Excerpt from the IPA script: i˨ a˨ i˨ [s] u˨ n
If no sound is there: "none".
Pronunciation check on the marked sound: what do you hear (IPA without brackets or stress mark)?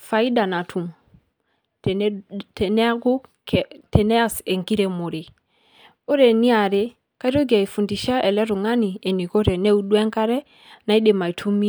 f